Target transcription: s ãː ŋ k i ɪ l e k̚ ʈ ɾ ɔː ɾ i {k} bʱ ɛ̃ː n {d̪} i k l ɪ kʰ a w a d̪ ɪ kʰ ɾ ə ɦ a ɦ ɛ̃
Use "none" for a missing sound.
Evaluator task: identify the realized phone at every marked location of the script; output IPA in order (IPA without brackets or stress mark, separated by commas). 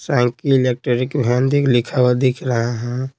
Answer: k, d̪